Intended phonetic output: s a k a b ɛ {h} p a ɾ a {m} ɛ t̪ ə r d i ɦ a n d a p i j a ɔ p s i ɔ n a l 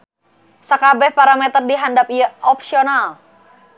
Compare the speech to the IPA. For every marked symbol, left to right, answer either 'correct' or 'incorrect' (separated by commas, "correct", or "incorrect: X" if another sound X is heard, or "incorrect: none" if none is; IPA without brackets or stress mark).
correct, correct